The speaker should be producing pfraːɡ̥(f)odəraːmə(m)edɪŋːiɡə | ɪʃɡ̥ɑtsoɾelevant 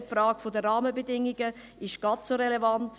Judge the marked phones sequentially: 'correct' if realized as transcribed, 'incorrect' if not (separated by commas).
correct, incorrect